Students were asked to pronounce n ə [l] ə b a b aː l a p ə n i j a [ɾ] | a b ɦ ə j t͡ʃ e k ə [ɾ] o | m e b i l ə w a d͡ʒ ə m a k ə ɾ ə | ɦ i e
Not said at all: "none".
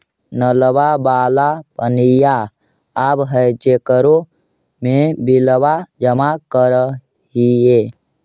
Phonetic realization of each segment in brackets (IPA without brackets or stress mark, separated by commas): l, none, ɾ